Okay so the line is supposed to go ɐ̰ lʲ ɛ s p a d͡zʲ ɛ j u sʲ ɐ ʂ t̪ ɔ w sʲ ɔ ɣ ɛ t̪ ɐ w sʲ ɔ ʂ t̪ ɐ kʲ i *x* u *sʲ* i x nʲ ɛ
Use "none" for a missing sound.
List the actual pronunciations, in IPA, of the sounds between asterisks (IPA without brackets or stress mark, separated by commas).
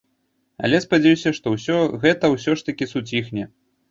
s, t͡sʲ